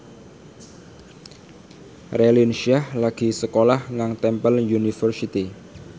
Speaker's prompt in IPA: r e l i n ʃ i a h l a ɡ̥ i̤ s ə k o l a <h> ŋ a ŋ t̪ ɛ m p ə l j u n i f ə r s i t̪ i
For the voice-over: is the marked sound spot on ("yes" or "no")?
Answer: yes